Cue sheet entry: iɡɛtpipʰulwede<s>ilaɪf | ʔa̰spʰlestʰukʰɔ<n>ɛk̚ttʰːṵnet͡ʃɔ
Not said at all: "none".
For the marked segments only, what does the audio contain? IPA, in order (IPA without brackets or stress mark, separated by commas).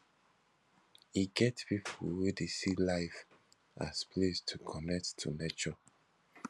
s, n